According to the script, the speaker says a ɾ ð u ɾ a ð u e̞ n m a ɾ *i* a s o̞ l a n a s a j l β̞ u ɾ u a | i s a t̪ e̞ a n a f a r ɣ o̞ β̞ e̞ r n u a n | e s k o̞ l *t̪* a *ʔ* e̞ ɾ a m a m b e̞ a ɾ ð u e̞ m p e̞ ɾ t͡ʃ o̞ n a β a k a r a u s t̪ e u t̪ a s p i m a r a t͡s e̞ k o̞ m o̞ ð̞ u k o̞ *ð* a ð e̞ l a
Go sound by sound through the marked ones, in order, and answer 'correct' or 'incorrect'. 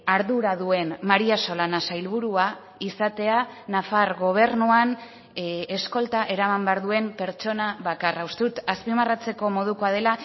correct, correct, correct, incorrect: none

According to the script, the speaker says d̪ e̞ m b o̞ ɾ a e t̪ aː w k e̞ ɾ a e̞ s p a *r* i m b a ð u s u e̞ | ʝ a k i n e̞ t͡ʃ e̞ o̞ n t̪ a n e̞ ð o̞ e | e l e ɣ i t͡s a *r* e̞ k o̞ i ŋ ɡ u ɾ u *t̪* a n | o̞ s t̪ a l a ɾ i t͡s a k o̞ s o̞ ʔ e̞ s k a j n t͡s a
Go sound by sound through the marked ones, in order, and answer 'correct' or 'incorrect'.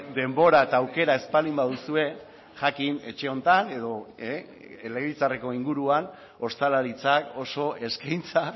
incorrect: l, correct, incorrect: none

